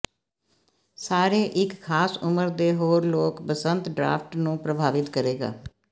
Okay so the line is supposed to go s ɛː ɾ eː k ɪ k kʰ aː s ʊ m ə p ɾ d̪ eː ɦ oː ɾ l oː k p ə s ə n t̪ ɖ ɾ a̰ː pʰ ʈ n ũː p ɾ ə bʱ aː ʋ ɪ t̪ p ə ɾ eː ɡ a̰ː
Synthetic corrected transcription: s aː ɾ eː ʔ ɪ k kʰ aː s ʊ m ə ɾ d̪ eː ɦ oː ɾ l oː k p ə s ə n t̪ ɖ ɾ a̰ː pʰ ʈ n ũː p ɾ ə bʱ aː ʋ ɪ t̪ k ə ɾ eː ɡ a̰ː